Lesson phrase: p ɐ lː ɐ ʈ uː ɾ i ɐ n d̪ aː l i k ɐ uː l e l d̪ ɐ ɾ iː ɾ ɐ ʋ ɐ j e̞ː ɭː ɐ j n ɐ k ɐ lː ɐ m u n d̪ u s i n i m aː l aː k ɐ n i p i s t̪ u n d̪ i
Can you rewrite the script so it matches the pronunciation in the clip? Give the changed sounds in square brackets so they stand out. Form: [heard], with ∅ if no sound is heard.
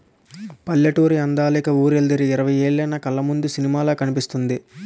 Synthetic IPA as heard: p ɐ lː ɐ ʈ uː ɾ i ɐ n d̪ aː l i k ɐ uː [ɾ] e l d̪ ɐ ɾ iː ɾ ɐ ʋ ɐ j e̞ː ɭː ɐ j n ɐ k ɐ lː ɐ m u n d̪ u s i n i m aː l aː k ɐ n i p i s t̪ u n d̪ i